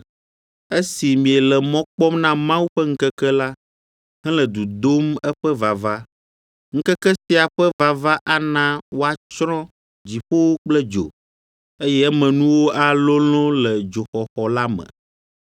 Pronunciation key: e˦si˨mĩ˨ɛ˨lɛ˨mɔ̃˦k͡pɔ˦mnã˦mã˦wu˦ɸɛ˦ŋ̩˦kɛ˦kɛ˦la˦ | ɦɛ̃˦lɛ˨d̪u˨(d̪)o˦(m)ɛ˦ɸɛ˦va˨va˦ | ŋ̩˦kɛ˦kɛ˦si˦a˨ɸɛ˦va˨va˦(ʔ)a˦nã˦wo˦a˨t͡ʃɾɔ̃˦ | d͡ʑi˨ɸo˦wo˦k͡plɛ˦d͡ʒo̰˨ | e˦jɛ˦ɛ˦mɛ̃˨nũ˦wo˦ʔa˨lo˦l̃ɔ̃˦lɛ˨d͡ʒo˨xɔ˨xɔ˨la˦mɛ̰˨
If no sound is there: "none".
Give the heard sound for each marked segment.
d̪, m, ʔ

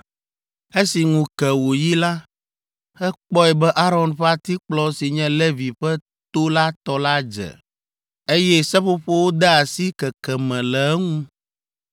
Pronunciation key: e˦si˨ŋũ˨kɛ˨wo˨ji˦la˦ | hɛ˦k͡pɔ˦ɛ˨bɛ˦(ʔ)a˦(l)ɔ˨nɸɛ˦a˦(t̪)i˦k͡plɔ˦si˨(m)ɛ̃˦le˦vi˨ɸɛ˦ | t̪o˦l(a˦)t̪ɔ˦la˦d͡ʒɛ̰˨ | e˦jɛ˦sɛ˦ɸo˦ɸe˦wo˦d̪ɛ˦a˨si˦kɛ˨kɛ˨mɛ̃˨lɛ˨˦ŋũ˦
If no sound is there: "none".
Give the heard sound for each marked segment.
ʔ, ɾ, t̪, ɲ, a˦

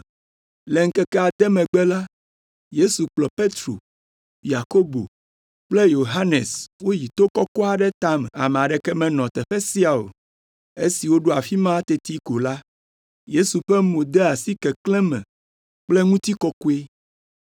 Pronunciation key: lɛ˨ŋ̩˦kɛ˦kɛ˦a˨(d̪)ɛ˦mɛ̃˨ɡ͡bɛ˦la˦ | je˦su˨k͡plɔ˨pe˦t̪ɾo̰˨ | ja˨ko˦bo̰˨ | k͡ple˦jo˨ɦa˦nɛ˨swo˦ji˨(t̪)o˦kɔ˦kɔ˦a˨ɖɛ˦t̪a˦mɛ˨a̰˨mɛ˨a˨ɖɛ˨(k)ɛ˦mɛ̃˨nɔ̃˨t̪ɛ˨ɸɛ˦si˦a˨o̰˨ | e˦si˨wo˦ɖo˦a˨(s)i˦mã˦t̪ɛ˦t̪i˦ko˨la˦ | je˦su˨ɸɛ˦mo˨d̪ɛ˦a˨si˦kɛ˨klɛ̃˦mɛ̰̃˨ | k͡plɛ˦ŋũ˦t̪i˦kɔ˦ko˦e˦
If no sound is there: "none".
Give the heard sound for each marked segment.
d̪, t̪, k, f

